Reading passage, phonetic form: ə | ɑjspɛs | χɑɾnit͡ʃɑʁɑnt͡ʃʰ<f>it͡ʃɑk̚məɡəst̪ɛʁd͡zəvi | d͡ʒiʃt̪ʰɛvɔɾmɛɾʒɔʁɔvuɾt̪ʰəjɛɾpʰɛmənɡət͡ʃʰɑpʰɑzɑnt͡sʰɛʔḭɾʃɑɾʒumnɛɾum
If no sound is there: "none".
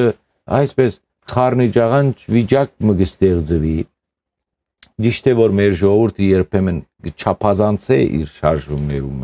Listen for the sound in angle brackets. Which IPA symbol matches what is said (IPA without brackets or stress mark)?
v